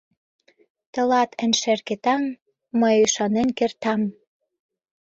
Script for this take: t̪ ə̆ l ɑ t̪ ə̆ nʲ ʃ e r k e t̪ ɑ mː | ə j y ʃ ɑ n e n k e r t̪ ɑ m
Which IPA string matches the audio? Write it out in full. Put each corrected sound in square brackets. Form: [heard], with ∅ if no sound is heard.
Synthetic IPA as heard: t̪ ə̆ l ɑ t̪ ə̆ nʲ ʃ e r k e t̪ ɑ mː | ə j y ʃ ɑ n e n k e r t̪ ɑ m